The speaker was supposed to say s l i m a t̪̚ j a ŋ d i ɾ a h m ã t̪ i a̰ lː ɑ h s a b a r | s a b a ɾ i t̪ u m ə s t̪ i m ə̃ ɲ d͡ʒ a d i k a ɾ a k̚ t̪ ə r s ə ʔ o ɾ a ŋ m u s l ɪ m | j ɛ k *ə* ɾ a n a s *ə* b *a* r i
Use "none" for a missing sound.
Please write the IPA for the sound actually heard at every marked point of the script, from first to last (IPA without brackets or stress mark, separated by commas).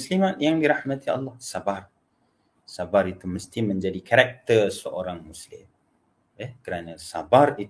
ə, a, a